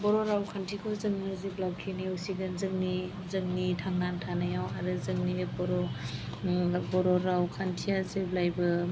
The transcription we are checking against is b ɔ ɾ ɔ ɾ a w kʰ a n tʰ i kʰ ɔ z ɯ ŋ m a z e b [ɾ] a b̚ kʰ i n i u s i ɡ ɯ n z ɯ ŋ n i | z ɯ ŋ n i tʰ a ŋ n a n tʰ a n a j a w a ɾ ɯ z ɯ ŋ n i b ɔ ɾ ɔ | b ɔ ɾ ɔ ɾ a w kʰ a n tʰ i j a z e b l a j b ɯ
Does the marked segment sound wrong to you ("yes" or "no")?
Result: yes